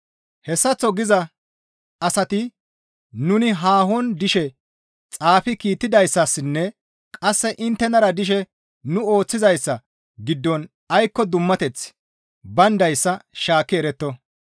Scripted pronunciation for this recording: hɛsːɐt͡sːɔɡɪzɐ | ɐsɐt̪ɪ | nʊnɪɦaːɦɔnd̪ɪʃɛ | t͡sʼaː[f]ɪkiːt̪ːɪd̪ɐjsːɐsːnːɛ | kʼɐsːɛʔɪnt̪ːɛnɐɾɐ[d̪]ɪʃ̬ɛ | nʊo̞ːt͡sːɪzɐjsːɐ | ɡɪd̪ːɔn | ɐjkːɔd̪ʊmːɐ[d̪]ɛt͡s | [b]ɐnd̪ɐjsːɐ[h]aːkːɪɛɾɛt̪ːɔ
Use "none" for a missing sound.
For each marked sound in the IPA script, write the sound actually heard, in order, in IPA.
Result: f, d̪, t̪, b, ʃ

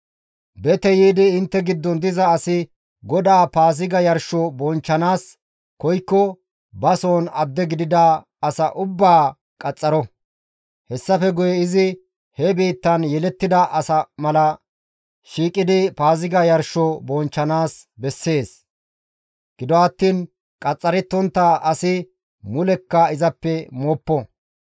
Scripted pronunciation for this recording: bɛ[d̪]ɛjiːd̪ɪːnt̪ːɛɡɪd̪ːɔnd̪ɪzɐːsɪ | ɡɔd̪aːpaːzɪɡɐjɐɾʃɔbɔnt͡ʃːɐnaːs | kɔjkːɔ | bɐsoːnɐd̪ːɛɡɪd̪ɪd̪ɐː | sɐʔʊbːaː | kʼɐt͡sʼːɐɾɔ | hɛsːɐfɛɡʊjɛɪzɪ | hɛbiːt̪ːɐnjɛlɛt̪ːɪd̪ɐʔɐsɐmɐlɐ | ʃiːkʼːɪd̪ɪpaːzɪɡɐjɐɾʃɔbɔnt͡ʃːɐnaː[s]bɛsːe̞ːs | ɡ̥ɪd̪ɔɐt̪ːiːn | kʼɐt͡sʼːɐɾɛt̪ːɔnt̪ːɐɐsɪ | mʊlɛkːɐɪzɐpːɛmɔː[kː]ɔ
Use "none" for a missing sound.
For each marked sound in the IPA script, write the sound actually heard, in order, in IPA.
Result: t̪, s, pː

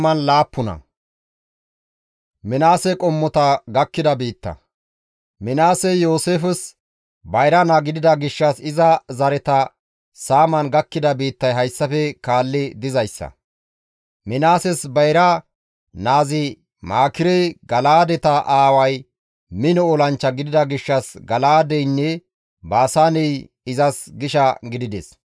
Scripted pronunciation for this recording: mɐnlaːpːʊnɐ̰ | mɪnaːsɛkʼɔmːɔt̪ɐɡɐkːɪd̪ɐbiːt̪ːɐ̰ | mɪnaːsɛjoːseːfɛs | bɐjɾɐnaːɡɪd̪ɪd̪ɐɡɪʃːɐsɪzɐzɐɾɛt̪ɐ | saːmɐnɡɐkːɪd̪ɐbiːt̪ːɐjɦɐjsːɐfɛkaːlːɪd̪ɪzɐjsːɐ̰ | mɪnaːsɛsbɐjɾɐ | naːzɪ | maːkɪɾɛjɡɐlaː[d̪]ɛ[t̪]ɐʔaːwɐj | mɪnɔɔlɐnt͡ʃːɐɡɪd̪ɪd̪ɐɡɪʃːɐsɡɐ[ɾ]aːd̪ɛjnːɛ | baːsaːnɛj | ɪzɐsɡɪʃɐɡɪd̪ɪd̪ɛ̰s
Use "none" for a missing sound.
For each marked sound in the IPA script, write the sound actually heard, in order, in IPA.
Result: d̪, t̪, l

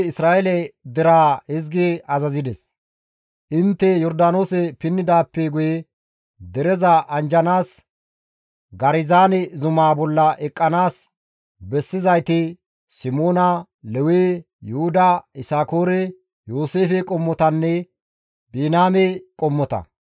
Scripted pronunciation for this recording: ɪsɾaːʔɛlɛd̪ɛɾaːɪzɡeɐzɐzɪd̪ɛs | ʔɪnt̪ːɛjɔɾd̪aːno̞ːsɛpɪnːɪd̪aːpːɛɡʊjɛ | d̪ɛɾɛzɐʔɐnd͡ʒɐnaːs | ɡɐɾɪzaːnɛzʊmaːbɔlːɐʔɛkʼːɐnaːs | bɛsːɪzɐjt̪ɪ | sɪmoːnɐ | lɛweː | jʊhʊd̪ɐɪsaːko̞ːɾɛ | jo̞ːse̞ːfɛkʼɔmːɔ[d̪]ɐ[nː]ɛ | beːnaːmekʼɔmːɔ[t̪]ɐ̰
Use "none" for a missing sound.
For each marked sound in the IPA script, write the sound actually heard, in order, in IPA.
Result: t̪, nː, t̪

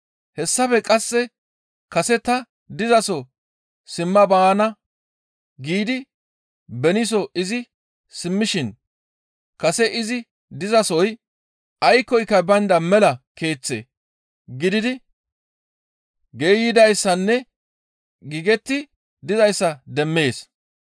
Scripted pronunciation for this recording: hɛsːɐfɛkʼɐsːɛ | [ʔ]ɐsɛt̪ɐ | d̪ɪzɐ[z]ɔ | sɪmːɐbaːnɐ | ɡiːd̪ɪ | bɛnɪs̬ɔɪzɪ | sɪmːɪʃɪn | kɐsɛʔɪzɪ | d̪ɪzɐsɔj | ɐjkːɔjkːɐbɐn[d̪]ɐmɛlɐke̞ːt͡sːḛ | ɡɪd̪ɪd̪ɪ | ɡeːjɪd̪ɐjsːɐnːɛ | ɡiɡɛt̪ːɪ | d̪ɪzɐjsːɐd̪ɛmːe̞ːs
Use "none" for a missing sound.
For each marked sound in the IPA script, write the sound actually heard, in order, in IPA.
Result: k, s, d̪

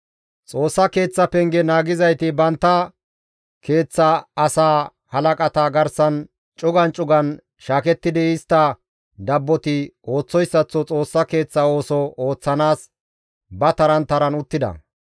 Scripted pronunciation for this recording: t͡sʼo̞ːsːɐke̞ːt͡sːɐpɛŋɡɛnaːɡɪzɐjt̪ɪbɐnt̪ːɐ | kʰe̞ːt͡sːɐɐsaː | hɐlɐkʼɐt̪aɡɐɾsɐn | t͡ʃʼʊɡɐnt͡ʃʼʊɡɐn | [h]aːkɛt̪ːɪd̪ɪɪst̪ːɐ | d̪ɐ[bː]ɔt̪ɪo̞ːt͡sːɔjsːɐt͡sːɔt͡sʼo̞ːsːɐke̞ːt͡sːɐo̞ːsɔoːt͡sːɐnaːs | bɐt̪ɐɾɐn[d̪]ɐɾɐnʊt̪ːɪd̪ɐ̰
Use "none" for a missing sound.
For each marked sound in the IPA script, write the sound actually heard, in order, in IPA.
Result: ʃ, bː, t̪

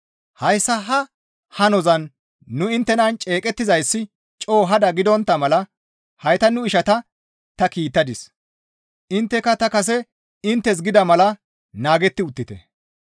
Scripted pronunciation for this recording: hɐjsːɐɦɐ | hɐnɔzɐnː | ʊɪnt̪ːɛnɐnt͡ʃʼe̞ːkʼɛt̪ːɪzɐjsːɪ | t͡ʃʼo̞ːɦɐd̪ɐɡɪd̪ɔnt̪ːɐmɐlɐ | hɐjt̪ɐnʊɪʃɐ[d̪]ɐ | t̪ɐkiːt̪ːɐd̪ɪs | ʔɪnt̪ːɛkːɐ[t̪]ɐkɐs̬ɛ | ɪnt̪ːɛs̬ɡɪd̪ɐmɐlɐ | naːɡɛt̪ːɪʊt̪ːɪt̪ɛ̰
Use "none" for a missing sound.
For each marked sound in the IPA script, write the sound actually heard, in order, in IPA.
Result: t̪, t̪

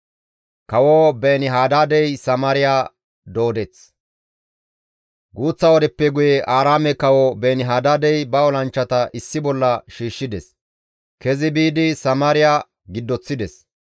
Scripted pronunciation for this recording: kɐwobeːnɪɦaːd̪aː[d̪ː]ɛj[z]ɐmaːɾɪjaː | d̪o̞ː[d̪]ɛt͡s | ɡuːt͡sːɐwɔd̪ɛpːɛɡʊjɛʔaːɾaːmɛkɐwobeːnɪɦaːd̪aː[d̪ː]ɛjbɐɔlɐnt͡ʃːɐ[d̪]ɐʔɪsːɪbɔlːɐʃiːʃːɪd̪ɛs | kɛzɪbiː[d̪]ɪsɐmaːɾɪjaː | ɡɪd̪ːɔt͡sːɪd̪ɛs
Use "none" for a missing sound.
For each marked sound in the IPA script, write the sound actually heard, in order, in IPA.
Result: d̪, s, d̪, d̪, t̪, d̪

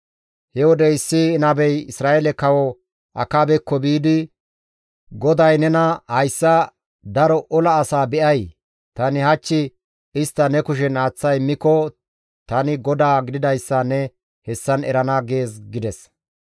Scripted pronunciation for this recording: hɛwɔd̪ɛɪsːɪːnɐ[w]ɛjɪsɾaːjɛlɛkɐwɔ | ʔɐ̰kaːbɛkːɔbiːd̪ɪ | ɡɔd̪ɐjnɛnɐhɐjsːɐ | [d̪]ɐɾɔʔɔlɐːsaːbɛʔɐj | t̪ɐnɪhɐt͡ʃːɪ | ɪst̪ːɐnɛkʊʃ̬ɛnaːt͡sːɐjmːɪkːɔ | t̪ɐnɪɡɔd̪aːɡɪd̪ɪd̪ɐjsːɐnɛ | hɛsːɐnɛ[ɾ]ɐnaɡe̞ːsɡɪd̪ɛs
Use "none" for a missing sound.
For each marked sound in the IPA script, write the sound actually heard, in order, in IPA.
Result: b, d̪, ɾ

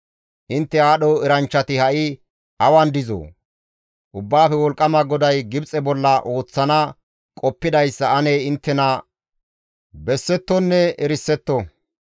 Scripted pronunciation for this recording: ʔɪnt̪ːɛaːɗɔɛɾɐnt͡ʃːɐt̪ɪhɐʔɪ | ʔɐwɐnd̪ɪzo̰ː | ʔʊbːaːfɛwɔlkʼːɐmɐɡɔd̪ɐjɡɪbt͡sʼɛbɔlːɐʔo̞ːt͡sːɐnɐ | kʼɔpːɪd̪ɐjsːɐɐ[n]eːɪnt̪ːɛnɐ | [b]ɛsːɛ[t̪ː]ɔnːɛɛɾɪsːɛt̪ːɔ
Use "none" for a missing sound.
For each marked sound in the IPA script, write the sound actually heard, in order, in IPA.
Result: n, b, t̪ː

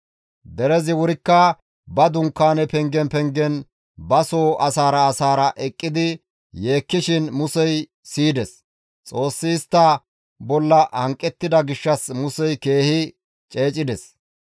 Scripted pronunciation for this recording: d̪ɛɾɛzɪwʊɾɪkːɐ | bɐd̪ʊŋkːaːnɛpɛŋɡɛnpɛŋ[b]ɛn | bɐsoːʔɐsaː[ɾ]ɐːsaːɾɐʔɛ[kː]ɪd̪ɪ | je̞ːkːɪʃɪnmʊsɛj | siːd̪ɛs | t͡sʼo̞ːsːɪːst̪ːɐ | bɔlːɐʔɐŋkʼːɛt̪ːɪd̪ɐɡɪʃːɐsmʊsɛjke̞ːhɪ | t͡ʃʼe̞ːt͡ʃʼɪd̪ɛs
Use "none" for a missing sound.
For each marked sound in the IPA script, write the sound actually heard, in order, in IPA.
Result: ɡ, ɾ, kʼː

